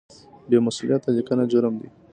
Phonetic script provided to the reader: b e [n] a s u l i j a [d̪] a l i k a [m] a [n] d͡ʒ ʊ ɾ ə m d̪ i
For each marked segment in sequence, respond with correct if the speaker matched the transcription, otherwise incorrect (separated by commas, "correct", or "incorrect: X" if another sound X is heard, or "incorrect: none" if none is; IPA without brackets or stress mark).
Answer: incorrect: m, incorrect: t̪, incorrect: n, incorrect: none